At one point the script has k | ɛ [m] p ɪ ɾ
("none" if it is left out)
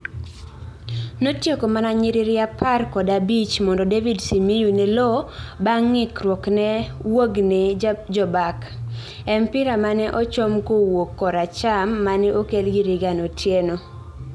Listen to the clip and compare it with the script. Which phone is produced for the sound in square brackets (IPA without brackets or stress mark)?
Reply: m